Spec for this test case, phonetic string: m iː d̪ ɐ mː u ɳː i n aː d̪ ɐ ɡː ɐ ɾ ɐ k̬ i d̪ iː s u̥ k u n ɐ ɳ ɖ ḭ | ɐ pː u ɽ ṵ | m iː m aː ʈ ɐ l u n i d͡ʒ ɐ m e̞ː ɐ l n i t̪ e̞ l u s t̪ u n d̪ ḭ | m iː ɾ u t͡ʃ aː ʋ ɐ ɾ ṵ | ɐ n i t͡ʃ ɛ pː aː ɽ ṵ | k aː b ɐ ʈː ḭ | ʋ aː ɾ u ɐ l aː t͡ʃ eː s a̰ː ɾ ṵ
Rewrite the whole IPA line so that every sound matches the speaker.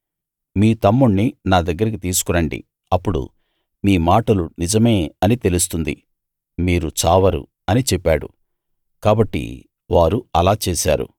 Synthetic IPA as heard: m iː t̪ ɐ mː u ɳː i n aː d̪ ɐ ɡː ɐ ɾ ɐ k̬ i t̪ iː s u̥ k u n ɐ ɳ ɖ ḭ | ɐ pː u ɽ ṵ | m iː m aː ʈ ɐ l u n i d͡ʒ ɐ m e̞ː ɐ n i t̪ e̞ l u s t̪ u n d̪ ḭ | m iː ɾ u t͡ʃ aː ʋ ɐ ɾ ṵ | ɐ n i t͡ʃ ɛ pː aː ɽ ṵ | k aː b ɐ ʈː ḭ | ʋ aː ɾ u ɐ l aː t͡ʃ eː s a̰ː ɾ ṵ